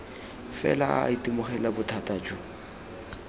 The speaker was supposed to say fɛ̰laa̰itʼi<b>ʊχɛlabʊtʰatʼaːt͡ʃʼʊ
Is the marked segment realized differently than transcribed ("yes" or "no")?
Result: yes